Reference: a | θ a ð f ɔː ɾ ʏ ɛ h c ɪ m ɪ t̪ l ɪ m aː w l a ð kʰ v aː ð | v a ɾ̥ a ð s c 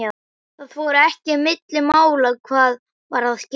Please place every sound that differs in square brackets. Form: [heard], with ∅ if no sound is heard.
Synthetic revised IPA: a | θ a ð f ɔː ɾ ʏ ɛ h c ɪ m ɪ t̪ l ɪ m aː w l a ð kʰ v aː ð | v a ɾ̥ a ð s c